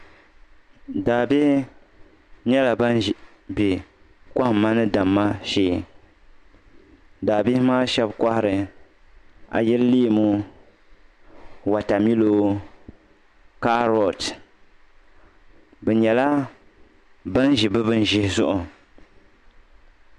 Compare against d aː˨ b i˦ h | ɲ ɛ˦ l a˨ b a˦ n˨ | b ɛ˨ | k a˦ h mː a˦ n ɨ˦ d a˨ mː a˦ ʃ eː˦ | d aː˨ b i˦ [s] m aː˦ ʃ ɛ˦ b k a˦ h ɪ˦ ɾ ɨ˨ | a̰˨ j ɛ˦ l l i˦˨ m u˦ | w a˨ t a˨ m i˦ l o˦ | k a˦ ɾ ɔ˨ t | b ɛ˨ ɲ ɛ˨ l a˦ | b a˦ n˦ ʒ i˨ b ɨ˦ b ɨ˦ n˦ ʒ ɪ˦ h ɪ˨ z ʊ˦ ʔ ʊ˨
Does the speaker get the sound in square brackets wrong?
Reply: yes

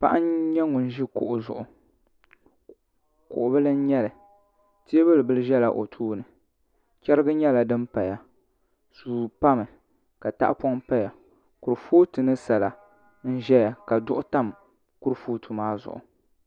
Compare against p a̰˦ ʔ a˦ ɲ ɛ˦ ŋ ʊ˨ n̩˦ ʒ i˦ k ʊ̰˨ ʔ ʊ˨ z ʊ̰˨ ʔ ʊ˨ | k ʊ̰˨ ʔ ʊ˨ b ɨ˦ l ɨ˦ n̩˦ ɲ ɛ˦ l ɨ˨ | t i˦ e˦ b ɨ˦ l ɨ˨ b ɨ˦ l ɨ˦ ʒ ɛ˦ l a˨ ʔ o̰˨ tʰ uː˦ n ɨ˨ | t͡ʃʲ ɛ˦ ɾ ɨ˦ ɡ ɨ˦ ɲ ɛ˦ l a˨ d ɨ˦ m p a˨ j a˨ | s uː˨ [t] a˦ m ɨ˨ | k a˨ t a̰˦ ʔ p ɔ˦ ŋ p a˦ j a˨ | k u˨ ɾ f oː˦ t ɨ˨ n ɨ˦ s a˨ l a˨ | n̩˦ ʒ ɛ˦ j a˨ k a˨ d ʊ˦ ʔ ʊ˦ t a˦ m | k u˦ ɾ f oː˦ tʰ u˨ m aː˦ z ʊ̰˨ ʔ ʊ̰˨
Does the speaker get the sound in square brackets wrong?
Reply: yes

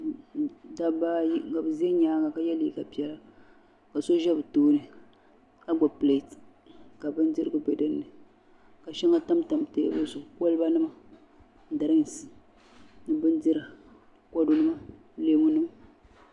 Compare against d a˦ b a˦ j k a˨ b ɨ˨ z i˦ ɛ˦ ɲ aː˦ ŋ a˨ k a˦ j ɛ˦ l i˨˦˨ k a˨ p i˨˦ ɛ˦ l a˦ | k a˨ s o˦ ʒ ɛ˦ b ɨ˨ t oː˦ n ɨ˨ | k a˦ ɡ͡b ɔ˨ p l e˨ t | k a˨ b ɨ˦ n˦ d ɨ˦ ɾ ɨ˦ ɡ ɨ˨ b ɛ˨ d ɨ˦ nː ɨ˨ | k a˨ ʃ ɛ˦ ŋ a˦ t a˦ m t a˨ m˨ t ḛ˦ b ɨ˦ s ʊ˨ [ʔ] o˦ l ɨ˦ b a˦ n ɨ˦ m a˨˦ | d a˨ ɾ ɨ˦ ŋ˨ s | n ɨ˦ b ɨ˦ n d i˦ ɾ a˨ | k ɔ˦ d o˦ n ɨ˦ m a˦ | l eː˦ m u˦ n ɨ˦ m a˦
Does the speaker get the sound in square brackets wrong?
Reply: yes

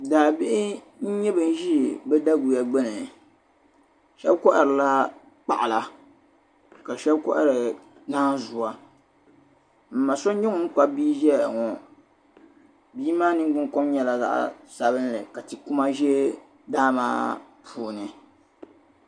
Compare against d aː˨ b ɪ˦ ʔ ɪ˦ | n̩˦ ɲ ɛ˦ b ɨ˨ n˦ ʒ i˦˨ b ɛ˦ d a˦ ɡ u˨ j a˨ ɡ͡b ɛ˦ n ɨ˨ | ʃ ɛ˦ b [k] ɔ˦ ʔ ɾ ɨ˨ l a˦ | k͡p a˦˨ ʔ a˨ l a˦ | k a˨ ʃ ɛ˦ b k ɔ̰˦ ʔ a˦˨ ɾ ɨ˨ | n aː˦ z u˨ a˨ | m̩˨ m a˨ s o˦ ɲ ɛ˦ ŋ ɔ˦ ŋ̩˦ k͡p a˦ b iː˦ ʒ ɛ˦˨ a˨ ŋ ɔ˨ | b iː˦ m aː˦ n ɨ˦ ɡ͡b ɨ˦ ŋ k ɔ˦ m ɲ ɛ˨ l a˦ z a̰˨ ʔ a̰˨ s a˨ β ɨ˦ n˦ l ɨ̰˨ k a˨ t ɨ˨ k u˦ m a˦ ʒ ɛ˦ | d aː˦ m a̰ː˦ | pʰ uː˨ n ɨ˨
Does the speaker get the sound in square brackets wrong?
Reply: no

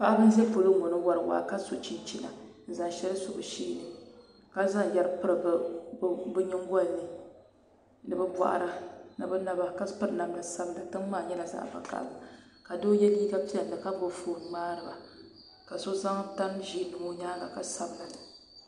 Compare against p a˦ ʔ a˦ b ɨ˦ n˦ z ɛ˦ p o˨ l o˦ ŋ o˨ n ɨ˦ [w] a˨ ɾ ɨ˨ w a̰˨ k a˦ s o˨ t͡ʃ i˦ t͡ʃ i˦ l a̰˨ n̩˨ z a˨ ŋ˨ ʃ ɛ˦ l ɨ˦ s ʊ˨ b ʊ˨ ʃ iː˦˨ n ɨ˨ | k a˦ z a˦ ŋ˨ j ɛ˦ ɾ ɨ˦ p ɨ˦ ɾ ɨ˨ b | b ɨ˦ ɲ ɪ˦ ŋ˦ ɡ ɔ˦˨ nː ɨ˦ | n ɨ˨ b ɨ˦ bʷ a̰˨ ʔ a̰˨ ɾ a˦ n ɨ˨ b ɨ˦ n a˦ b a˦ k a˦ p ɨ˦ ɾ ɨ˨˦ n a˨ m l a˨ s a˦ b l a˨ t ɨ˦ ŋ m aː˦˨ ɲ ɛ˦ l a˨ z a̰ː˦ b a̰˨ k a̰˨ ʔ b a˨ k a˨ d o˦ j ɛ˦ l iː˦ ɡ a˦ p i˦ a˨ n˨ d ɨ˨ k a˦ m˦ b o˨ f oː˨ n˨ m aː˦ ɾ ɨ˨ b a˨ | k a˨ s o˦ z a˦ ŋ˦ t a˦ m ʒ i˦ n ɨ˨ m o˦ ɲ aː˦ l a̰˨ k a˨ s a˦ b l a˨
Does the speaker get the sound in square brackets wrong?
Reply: no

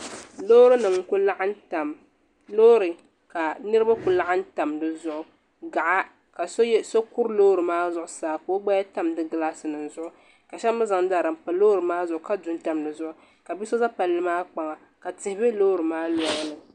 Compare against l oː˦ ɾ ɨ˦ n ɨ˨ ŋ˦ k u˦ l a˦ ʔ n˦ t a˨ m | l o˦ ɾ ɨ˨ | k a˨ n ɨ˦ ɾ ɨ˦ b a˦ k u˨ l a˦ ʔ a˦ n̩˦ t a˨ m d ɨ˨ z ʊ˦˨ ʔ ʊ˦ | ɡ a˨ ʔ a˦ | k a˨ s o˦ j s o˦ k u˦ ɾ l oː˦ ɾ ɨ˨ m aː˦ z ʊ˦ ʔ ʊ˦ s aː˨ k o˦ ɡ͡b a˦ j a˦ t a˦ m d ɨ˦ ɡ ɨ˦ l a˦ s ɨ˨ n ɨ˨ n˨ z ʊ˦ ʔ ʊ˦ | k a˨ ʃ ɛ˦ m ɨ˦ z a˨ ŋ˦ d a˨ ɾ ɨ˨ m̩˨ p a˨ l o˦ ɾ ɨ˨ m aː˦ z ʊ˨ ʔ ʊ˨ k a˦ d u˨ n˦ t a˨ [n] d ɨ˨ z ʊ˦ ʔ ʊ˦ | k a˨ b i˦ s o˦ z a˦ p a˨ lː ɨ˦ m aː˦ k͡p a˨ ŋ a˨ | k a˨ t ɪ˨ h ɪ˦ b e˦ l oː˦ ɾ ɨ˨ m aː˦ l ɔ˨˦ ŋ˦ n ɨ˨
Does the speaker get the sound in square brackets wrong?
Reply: yes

